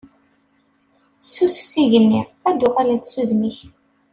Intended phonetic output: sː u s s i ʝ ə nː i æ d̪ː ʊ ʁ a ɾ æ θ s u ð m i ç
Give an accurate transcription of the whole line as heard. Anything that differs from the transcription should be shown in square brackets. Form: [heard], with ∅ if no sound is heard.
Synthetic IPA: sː u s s i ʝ ə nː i æ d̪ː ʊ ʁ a [l] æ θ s u ð m i ç